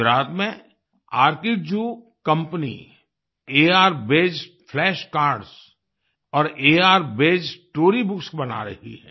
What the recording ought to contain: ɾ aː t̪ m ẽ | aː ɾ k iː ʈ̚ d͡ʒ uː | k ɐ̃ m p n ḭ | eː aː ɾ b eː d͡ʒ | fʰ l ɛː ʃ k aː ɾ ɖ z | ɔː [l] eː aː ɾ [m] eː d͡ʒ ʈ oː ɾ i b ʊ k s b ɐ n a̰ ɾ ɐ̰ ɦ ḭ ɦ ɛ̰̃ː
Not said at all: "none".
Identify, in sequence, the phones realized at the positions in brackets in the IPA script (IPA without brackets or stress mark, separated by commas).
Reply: ɾ, b